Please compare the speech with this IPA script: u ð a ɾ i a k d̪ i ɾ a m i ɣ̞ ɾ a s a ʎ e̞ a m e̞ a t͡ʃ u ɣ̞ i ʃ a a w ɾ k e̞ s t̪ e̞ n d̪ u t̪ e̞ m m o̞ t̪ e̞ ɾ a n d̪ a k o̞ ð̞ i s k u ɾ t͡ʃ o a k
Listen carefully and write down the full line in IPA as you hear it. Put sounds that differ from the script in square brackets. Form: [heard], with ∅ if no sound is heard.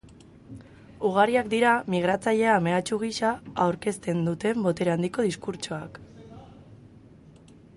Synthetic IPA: u [ɣ] a ɾ i a k d̪ i ɾ a m i ɣ̞ ɾ a [t͡s] a ʎ e̞ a m e̞ a t͡ʃ u ɣ̞ i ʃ a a w ɾ k e̞ s t̪ e̞ n d̪ u t̪ e̞ m [b] o̞ t̪ e̞ ɾ a n d̪ [i] k o̞ ð̞ i s k u ɾ t͡ʃ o a k